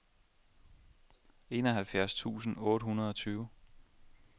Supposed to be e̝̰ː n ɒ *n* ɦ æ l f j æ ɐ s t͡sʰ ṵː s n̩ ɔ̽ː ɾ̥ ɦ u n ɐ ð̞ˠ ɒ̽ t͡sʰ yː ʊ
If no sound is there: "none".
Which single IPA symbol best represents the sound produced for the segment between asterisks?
none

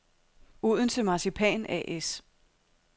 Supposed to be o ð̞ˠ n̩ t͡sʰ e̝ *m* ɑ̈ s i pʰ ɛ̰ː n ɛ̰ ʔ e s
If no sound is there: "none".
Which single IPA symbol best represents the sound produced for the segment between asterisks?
m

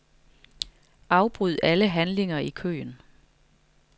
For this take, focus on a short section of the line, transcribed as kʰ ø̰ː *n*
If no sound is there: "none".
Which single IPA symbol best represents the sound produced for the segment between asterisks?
n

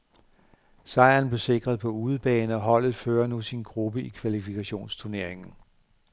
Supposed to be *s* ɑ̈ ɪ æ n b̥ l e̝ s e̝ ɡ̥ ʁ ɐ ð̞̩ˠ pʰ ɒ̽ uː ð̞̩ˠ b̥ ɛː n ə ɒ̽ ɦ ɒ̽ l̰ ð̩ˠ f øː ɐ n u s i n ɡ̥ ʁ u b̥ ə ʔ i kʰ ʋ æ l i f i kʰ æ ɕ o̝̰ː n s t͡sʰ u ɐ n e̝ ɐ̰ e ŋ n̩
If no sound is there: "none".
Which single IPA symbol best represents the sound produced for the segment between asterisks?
s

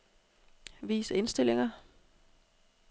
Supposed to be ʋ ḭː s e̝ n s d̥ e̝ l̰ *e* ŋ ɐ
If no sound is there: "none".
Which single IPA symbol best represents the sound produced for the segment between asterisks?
e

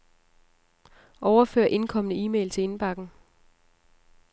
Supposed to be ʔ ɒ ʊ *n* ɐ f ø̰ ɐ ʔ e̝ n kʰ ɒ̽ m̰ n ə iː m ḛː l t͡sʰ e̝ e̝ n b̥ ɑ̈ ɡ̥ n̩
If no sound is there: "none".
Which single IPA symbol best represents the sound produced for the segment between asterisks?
none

